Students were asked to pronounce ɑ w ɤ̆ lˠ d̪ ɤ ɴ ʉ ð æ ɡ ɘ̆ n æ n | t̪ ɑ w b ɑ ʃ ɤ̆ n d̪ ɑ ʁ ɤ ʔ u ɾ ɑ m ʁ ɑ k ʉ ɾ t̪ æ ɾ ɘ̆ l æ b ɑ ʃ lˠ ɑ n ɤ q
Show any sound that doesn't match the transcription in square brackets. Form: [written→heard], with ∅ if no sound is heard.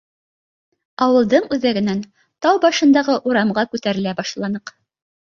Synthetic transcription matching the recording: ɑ w ɤ̆ lˠ d̪ ɤ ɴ ʉ ð æ ɡ ɘ̆ n æ n | t̪ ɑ w b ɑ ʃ ɤ̆ n d̪ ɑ ʁ ɤ ʔ u ɾ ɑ m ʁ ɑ k ʉ [ɾ→∅] t̪ æ ɾ ɘ̆ l æ b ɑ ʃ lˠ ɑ n ɤ q